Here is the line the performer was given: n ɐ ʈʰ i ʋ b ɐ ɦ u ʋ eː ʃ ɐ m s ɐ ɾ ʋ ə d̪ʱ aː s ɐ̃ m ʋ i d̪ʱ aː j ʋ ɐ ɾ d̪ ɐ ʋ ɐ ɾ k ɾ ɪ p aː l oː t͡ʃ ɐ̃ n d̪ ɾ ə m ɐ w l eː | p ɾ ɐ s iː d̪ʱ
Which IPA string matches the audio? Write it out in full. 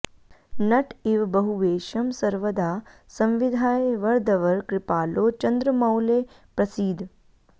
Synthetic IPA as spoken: n ɐ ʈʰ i ʋ b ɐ ɦ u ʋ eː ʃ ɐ m s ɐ ɾ ʋ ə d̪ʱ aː s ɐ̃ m ʋ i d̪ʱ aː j ʋ ɐ ɾ d̪ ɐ ʋ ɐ ɾ k ɾ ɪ p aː l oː t͡ʃ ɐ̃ n d̪ ɾ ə m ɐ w l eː | p ɾ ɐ s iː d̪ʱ